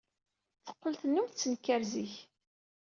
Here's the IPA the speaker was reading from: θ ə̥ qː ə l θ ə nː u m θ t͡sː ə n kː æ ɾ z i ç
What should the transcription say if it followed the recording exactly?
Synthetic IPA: θ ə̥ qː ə l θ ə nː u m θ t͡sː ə n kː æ ɾ z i ç

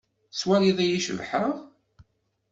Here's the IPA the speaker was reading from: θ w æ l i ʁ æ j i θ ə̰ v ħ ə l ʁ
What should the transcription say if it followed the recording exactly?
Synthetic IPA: s w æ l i ð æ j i ʃ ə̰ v ħ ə ʁ

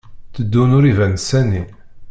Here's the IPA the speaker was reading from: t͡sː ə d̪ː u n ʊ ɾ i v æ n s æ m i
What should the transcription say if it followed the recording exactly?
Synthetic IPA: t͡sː ə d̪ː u n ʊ ɾ i v æ n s æ n i

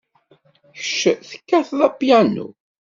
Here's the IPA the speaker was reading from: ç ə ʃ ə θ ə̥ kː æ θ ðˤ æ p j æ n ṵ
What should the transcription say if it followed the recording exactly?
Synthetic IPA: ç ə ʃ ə θ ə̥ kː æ θ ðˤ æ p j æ n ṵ

